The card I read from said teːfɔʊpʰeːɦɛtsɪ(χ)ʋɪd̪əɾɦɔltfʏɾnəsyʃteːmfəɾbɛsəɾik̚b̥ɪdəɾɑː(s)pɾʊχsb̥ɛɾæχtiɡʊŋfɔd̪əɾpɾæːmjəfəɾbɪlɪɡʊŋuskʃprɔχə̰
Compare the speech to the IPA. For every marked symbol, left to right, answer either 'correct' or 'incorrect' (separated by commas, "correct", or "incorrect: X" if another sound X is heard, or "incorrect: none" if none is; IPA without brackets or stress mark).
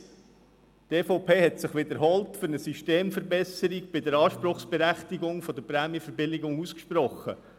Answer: correct, incorrect: ʃ